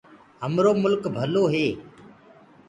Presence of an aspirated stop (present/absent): absent